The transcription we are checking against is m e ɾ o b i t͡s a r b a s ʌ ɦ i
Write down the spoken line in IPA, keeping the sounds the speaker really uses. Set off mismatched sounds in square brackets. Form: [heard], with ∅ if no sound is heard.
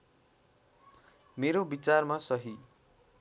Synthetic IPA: m e ɾ o b i t͡s a r [m] a s ʌ ɦ i

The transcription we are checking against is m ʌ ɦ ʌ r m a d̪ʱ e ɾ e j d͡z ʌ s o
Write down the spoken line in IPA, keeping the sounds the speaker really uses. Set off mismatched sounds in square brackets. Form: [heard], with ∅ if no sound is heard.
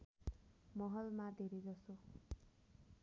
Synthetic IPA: m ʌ ɦ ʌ [l] m a d̪ʱ e ɾ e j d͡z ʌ s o

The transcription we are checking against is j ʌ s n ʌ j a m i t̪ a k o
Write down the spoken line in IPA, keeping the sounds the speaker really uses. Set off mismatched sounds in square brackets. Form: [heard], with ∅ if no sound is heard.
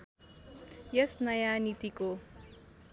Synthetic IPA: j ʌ s n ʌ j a [n] i t̪ [i] k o

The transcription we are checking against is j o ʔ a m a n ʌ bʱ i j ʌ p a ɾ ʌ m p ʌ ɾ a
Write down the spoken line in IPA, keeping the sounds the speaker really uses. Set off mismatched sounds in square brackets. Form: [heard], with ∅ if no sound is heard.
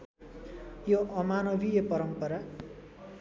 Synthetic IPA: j o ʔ [ʌ] m a n ʌ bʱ i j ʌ p [ʌ] ɾ ʌ m p ʌ ɾ a

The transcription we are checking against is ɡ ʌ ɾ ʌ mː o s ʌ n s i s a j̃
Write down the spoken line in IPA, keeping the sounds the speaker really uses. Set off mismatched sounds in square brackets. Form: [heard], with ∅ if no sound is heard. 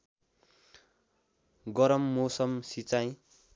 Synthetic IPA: ɡ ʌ ɾ ʌ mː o s ʌ [m] s i [t͡s] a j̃

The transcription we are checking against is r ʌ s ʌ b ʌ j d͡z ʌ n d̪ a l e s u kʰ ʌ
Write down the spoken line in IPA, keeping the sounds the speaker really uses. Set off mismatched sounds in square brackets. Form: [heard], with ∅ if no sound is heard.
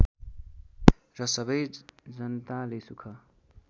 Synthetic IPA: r ʌ s ʌ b ʌ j d͡z ʌ n [t̪] a l e s u kʰ ʌ

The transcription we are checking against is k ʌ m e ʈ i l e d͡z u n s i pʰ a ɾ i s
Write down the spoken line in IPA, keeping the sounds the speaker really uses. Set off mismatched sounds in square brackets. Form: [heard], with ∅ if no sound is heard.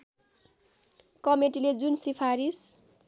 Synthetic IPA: k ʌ m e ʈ i l e d͡z u n s i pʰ a ɾ i s

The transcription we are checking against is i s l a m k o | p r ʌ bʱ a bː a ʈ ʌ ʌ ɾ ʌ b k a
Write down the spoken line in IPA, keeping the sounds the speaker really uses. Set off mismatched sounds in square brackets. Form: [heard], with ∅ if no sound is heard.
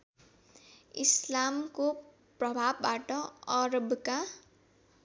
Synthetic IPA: i s l a m k o | p r ʌ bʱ a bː a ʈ ʌ ʌ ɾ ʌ b k a

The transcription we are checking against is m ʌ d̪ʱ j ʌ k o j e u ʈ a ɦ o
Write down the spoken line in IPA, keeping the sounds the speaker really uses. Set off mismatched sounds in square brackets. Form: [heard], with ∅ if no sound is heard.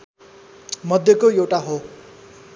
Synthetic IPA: m ʌ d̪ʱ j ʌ k o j e [w] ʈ a ɦ o

